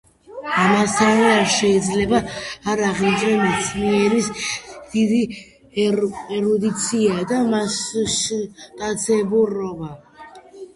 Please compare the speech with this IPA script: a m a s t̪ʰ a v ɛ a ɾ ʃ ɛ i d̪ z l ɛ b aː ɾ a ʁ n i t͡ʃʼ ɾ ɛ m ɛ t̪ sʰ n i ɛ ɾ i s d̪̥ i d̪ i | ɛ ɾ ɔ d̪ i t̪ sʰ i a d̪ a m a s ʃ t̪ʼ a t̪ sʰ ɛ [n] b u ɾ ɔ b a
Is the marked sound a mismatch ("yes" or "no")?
yes